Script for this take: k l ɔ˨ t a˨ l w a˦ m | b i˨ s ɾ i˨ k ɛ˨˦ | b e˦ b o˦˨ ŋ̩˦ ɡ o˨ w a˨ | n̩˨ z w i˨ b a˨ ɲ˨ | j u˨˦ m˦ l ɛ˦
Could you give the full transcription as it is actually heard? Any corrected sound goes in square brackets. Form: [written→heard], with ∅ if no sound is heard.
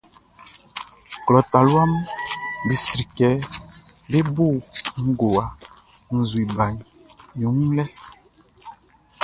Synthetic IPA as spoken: k l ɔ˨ t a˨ l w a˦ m | b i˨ s ɾ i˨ k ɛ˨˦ | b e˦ b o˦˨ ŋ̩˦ ɡ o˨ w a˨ | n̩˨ z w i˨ b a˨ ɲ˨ | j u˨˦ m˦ l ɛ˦